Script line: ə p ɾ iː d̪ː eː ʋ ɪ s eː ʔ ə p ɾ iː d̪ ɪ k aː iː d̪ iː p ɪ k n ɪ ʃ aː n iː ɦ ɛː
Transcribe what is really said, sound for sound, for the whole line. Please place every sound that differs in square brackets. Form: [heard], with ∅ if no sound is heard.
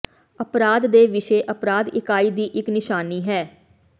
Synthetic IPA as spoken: ə p ɾ [aː] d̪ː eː ʋ ɪ [ʃ] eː ʔ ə p ɾ [aː] d̪ ɪ k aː iː d̪ iː [ʔ] ɪ k n ɪ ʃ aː n iː ɦ ɛː